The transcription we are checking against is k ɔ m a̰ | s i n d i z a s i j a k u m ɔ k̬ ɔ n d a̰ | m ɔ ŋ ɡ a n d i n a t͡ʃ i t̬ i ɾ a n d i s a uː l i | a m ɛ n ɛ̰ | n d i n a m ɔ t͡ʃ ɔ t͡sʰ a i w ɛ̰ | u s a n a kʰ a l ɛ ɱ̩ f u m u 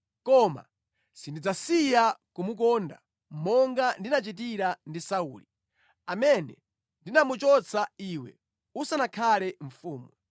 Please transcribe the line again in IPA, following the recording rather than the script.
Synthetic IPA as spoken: k ɔ m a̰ | s i n d i d͡z a s i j a k u m u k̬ ɔ n d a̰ | m ɔ ŋ ɡ a n d i n a t͡ʃ i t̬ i ɾ a n d i s a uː l i | a m ɛ n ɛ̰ | n d i n a m u t͡ʃ ɔ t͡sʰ a i w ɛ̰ | u s a n a kʰ a l ɛ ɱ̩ f uː m u